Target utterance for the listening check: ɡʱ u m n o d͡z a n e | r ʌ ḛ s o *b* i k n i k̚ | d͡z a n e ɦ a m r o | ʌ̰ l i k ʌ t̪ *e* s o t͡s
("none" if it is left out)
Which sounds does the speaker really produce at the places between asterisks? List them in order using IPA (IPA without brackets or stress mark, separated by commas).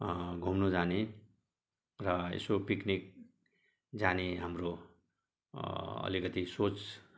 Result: p, i